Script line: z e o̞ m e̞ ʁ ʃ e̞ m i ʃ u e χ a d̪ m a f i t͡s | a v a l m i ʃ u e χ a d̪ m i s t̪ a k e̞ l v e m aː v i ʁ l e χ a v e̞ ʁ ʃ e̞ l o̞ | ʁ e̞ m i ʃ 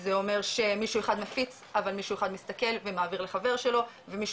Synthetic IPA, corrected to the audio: z e o̞ m e̞ ʁ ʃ e̞ m i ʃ u e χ a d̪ m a f i t͡s | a v a l m i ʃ u e χ a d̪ m i s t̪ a k e̞ l v e m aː v i ʁ l e χ a v e̞ ʁ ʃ e̞ l o̞ | v e̞ m i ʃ